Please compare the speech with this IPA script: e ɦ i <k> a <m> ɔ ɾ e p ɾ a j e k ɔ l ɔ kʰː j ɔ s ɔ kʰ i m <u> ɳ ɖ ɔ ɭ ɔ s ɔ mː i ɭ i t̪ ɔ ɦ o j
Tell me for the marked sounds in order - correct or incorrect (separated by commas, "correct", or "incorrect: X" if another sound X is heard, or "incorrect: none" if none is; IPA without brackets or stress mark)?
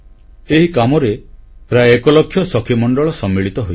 correct, correct, incorrect: ɔ